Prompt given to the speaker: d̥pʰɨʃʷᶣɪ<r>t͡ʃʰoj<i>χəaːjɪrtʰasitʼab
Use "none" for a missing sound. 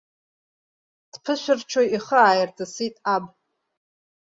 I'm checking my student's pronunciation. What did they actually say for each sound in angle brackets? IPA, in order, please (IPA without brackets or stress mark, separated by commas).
r, i